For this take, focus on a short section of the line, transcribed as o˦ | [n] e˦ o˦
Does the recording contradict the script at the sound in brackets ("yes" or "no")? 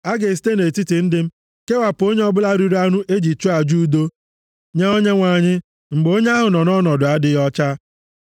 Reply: yes